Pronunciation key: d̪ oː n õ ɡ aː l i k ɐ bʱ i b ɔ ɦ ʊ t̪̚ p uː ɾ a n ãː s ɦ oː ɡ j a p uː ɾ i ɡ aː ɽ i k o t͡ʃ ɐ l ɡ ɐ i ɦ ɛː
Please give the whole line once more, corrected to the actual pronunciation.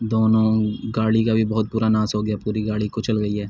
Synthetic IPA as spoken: d̪ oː n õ ɡ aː ɽ i k a bʱ i b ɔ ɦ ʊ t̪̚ p uː ɾ a n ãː s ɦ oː ɡ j a p uː ɾ i ɡ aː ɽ i k o t͡ʃ ɐ l ɡ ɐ i ɦ ɛː